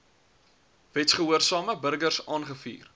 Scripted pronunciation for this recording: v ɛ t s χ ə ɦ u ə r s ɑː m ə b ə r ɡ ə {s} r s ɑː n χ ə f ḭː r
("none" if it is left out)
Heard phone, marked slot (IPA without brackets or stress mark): none